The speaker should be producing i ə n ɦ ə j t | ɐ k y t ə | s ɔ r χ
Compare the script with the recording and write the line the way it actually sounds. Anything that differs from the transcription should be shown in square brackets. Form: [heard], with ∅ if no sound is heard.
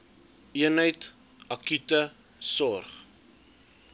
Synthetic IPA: i ə n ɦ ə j t | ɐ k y t ə | s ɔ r χ